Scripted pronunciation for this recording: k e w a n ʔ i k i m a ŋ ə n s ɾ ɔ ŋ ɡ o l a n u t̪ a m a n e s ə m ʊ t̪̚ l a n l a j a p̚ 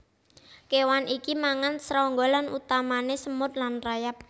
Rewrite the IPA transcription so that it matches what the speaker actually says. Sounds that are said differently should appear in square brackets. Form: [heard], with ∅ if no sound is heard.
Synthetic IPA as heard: k e w a n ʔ i k i m a ŋ [a] n s ɾ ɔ ŋ ɡ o l a n u t̪ a m a n e s ə m ʊ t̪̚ l a n [r] a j a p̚